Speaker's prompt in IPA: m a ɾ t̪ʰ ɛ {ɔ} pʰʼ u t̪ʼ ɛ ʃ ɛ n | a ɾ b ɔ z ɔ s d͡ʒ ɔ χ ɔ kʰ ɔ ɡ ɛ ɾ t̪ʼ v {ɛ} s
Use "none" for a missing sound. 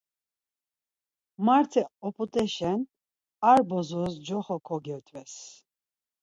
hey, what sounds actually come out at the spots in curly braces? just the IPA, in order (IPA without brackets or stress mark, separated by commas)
ɔ, ɛ